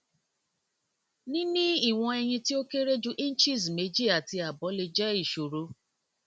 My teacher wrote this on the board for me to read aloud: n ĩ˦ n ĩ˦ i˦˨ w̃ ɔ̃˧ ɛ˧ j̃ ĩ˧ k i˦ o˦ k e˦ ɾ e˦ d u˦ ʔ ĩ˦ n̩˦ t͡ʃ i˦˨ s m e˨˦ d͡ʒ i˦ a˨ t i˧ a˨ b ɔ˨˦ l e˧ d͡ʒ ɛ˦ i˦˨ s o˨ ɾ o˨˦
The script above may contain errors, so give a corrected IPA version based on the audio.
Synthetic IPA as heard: n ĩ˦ n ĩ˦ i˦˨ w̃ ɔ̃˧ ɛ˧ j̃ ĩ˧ t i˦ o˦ k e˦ ɾ e˦ d͡ʒ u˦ ʔ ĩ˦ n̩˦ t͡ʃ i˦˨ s m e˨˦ d͡ʒ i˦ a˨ t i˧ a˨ b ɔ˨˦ l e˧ d͡ʒ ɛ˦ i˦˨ ʃ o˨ ɾ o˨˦